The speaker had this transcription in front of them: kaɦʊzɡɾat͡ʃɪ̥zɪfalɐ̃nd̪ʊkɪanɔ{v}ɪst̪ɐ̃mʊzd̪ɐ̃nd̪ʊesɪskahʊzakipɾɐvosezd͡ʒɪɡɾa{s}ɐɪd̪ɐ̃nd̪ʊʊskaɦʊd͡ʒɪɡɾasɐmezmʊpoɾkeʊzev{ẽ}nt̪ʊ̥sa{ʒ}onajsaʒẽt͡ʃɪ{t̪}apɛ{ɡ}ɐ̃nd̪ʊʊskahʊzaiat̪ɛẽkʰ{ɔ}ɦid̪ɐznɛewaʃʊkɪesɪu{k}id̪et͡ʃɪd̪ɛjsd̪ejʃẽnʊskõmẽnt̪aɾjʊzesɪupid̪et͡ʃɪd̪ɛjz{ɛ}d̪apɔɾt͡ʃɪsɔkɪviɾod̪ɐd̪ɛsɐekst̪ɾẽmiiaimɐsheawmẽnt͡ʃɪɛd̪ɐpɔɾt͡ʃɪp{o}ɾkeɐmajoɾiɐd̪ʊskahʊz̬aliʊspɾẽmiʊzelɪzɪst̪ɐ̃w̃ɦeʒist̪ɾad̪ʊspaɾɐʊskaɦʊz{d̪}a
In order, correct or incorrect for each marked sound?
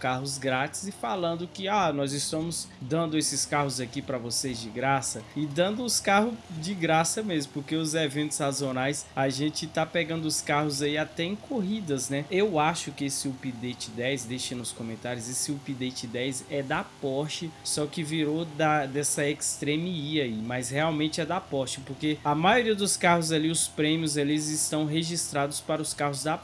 incorrect: z, correct, correct, incorrect: z, correct, correct, incorrect: o, incorrect: p, correct, correct, correct

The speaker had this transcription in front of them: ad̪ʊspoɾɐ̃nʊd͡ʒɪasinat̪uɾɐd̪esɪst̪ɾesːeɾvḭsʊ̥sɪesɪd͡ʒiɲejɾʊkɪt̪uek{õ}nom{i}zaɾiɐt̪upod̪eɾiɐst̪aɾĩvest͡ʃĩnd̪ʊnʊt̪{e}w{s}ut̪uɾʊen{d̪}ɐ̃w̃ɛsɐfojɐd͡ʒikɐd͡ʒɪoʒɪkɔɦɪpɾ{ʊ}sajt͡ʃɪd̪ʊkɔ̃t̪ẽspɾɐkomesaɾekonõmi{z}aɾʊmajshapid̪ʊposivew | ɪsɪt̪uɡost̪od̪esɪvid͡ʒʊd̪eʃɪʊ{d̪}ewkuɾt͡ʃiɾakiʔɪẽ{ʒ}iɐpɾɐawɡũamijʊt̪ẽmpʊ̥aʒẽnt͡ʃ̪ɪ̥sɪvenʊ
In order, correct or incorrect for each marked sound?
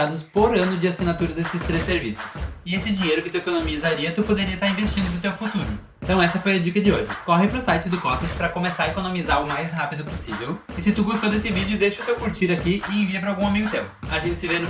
incorrect: o, correct, correct, incorrect: f, incorrect: t̪, correct, correct, incorrect: t̪, incorrect: v

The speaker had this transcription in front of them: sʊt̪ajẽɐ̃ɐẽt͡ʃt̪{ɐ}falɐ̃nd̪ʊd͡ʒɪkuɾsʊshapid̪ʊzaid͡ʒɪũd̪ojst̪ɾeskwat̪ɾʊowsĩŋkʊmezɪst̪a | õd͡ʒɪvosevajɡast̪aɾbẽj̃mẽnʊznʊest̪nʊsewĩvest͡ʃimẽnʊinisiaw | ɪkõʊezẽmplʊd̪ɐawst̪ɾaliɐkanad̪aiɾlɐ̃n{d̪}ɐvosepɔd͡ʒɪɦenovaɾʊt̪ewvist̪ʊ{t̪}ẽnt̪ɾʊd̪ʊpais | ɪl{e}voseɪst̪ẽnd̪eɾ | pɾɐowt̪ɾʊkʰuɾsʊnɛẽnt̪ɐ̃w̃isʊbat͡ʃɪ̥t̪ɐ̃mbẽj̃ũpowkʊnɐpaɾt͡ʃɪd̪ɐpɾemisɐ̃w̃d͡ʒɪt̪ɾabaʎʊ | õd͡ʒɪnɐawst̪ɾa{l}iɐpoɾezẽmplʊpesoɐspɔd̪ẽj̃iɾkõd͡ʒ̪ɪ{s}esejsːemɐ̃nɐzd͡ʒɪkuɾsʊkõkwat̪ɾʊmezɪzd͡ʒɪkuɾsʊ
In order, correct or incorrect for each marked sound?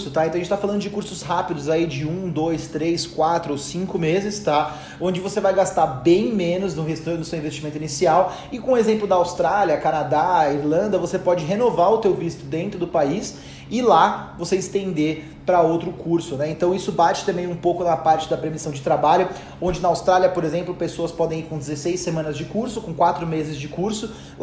incorrect: a, correct, incorrect: d̪, incorrect: a, correct, incorrect: z

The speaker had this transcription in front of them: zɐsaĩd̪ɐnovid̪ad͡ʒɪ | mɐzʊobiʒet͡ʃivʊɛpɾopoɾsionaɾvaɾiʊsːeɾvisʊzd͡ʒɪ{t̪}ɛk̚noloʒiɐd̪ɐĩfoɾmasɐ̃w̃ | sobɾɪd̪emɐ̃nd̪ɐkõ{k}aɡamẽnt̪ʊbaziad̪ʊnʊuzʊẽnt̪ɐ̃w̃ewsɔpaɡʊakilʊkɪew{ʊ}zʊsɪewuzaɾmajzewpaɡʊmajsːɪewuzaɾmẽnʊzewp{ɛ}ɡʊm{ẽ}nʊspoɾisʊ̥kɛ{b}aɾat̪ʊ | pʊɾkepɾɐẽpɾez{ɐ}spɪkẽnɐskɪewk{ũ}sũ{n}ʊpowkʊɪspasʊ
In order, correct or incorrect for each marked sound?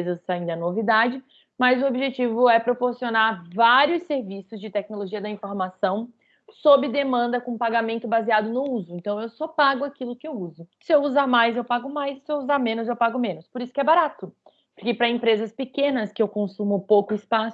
correct, incorrect: p, incorrect: u, incorrect: a, correct, correct, correct, incorrect: õ, incorrect: m

